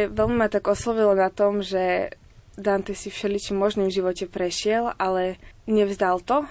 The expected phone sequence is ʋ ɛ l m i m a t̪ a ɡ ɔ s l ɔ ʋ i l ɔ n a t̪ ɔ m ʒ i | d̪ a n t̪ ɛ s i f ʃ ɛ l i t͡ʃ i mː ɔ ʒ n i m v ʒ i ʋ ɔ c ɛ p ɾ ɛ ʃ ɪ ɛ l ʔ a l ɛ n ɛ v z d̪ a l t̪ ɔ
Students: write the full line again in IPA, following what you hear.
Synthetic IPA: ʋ ɛ l m i m a t̪ a ɡ ɔ s l ɔ ʋ i l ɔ n a t̪ ɔ m ʒ ɛ | d̪ a n t̪ ɛ s i f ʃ ɛ l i t͡ʃ i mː ɔ ʒ n i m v ʒ i ʋ ɔ c ɛ p ɾ ɛ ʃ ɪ ɛ l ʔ a l ɛ ɲ ɛ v z d̪ a l t̪ ɔ